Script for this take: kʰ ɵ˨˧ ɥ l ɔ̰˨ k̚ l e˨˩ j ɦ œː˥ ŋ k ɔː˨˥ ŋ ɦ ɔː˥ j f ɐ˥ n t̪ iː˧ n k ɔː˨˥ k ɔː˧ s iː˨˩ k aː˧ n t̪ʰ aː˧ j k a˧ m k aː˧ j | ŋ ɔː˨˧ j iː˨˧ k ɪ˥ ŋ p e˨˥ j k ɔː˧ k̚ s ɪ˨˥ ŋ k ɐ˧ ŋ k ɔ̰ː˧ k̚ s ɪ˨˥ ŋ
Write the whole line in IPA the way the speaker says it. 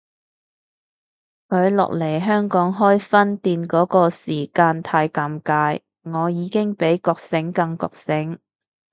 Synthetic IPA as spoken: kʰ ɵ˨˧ ɥ l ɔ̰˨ k̚ l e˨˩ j ɦ œː˥ ŋ k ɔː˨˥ ŋ ɦ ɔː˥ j f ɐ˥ n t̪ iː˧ n k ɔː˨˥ k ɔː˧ s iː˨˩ k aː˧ n t̪ʰ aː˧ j k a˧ m k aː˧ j | ŋ ɔː˨˧ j iː˨˧ k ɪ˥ ŋ p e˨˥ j k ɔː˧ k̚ s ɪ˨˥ ŋ k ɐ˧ ŋ k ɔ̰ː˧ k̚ s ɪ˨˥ ŋ